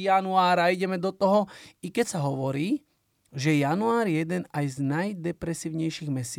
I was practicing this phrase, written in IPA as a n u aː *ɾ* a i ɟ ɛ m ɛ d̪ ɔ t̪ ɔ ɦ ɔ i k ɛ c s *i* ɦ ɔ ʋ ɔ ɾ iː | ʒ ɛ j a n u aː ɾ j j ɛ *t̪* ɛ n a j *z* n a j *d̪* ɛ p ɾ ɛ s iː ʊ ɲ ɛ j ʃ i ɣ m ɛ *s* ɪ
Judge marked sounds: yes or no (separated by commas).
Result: yes, no, no, yes, yes, yes